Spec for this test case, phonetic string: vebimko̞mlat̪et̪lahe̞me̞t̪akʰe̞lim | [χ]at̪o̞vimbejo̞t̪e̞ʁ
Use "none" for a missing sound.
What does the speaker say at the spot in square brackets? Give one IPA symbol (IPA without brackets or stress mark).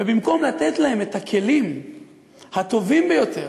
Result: h